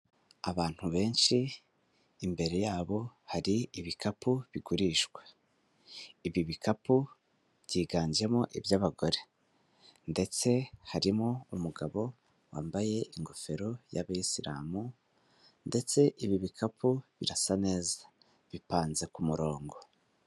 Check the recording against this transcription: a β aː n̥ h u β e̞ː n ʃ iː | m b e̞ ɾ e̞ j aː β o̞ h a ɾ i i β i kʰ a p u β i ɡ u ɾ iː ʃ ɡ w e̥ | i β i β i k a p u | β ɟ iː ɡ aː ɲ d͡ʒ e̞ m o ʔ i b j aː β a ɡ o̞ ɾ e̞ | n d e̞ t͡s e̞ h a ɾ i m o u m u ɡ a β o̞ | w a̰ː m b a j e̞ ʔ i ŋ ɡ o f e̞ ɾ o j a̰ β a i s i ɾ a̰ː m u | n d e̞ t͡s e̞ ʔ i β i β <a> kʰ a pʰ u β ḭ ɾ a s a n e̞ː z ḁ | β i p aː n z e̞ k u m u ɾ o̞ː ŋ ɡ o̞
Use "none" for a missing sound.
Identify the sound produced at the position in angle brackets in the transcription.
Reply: i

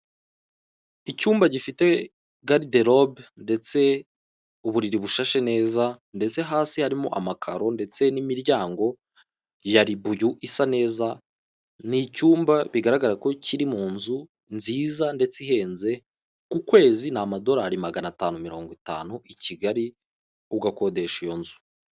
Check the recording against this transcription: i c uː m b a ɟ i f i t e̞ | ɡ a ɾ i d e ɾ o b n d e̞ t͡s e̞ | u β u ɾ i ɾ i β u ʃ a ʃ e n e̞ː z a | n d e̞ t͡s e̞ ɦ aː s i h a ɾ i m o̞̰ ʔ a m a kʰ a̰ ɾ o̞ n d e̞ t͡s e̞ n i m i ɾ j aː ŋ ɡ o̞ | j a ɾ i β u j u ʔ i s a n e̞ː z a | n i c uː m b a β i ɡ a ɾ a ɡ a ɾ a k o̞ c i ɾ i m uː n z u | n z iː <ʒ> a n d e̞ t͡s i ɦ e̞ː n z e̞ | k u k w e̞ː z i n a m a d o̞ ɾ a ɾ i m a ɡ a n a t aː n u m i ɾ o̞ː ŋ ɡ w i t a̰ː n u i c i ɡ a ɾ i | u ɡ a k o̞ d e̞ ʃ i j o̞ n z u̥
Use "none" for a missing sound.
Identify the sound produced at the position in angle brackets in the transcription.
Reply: z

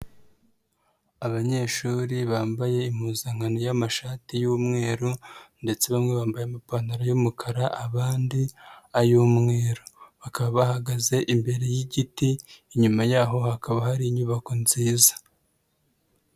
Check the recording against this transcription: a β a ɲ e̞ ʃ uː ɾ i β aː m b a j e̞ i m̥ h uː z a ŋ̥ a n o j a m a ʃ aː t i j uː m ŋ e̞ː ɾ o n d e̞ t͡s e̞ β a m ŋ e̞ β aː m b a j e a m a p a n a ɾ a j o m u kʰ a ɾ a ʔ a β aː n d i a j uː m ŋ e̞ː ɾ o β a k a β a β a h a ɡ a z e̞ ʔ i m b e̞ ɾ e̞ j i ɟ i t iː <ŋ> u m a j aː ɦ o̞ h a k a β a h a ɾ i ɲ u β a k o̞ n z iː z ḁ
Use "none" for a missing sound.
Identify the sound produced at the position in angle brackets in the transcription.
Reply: ɲ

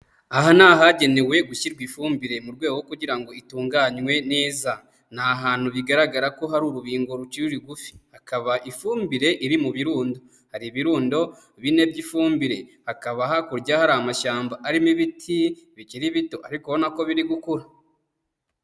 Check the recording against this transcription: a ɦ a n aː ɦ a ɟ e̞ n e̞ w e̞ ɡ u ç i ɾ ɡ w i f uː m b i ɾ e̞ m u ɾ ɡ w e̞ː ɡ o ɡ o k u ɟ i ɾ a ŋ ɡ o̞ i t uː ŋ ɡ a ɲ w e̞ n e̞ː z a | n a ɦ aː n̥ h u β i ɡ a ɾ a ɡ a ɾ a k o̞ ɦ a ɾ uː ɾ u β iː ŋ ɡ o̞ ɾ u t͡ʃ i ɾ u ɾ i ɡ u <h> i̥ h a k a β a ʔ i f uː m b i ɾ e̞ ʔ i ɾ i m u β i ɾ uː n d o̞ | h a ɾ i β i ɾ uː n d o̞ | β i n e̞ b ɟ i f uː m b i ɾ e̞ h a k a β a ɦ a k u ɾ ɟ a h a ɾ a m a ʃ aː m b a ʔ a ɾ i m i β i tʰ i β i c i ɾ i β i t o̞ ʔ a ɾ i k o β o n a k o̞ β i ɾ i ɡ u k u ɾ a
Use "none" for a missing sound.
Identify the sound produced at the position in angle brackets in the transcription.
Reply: f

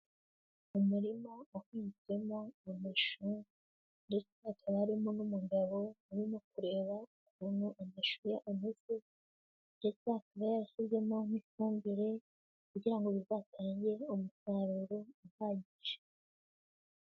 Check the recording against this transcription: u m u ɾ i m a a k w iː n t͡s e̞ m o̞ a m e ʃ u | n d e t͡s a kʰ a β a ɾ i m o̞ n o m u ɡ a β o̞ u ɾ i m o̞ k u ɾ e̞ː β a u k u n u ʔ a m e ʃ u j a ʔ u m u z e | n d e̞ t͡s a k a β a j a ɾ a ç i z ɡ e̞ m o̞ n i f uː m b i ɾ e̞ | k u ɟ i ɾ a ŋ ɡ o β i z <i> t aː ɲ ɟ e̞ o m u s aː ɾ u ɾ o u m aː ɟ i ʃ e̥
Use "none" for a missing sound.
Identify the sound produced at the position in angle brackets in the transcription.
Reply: a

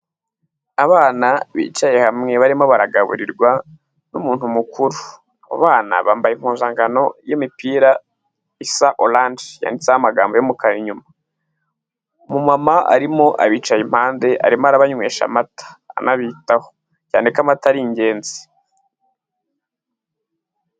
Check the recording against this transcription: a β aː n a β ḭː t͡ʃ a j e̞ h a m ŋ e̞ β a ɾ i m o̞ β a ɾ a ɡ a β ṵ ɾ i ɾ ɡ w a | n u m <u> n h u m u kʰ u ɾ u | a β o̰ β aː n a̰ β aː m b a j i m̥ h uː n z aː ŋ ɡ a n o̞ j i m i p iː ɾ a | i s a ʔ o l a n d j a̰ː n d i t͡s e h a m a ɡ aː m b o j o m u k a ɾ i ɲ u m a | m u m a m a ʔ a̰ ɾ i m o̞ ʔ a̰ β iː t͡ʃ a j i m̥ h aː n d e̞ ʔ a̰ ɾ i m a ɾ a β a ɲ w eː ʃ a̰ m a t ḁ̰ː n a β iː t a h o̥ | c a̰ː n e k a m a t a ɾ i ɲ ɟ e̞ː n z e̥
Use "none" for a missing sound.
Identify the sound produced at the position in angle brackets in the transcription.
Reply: uː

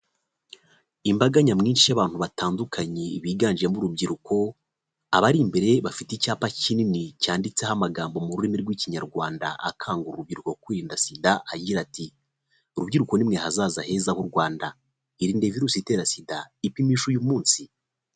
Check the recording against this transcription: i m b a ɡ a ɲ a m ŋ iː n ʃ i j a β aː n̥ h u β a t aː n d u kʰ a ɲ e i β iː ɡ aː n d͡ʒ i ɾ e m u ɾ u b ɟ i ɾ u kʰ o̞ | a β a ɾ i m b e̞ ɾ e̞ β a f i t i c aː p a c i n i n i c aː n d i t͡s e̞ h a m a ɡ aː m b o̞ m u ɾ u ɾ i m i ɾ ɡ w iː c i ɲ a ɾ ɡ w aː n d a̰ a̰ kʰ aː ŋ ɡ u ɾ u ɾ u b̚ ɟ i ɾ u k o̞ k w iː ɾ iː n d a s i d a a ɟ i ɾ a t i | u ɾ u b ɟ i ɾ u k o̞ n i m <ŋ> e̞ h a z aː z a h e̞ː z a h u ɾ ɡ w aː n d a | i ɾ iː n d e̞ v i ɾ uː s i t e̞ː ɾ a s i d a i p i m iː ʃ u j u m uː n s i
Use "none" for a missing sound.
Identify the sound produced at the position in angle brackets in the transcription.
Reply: ŋ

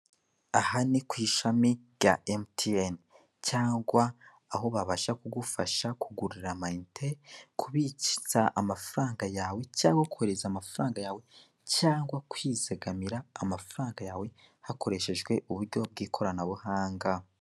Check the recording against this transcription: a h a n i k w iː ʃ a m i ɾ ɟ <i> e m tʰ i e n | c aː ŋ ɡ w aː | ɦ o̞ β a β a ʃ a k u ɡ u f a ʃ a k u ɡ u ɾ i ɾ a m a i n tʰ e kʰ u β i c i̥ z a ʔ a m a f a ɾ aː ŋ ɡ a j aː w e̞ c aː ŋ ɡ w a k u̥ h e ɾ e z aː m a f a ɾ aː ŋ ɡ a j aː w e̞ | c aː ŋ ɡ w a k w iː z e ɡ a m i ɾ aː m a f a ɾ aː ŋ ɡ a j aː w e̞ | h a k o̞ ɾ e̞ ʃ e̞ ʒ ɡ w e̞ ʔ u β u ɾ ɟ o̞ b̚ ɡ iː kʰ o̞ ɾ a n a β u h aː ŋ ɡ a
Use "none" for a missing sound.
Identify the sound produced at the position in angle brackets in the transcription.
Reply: a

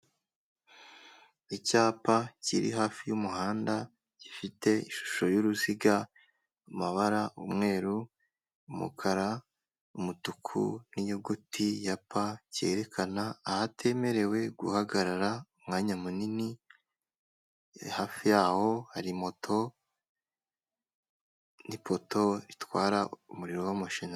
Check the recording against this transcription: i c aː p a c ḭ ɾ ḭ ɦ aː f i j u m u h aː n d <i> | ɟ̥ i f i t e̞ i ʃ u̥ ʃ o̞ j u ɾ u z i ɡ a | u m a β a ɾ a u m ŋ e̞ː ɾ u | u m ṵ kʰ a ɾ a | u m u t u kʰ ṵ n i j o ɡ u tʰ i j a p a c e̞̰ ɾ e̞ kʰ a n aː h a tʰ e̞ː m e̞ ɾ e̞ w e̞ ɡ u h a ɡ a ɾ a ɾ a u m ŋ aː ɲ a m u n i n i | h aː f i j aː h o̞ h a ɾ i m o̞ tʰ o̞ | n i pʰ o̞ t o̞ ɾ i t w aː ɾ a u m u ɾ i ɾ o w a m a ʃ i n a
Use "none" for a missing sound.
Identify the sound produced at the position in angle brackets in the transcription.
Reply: a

